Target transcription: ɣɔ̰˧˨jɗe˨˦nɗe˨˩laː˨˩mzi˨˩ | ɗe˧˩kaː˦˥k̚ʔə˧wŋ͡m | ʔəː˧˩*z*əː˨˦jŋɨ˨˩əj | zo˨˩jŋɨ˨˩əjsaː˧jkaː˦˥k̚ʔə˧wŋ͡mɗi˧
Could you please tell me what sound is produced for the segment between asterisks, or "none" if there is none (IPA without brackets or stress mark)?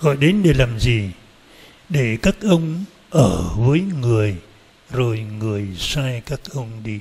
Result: v